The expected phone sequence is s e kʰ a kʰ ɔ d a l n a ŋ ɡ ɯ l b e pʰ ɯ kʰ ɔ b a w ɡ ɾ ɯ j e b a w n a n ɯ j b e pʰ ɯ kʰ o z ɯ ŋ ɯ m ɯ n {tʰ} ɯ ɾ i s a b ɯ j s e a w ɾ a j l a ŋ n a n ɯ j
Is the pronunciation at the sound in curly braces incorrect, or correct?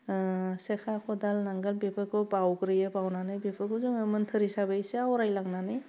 correct